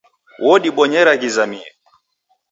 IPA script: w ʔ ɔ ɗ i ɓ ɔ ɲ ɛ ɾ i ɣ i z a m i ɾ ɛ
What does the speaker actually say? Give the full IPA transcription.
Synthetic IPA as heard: w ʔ ɔ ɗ i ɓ ɔ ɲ ɛ ɾ a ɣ i z a m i ɛ